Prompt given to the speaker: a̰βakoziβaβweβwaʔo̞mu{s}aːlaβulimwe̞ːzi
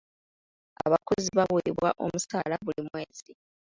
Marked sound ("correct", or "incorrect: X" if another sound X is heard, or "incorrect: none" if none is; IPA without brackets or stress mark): correct